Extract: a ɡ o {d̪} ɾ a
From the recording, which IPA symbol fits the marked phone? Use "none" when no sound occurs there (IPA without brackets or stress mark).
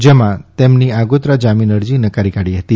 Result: t̪